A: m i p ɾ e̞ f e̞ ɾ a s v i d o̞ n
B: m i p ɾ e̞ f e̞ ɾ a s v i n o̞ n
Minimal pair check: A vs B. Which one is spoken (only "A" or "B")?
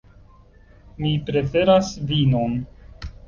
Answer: B